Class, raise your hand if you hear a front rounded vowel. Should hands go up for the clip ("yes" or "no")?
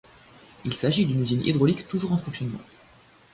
yes